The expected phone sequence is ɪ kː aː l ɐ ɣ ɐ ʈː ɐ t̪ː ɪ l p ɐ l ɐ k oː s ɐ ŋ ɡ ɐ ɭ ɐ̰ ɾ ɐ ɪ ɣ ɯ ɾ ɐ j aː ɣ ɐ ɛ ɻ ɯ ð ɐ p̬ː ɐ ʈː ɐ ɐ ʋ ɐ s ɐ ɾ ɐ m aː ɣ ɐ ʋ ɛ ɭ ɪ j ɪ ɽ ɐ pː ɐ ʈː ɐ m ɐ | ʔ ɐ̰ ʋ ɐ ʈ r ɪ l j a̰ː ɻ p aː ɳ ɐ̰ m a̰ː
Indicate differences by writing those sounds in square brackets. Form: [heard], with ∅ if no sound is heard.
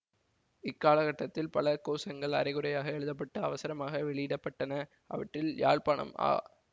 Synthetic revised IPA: ɪ kː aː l ɐ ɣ ɐ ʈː ɐ t̪ː ɪ l p ɐ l ɐ k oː s ɐ ŋ ɡ ɐ ɭ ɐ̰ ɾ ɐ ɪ ɣ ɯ ɾ ɐ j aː ɣ ɐ ɛ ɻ ɯ ð ɐ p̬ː ɐ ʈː ɐ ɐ ʋ ɐ s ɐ ɾ ɐ m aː ɣ ɐ ʋ ɛ ɭ ɪ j ɪ ɽ ɐ pː ɐ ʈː ɐ [n] ɐ | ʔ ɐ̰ ʋ ɐ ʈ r ɪ l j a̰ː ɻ p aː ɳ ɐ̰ m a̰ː